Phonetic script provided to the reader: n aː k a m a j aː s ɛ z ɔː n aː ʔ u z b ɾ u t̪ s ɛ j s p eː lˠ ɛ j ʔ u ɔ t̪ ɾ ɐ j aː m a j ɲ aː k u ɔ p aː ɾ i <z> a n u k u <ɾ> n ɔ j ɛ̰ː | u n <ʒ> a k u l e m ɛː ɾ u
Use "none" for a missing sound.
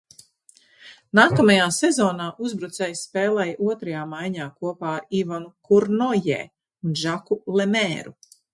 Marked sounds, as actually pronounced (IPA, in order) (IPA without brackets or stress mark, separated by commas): v, ɾ, ʒ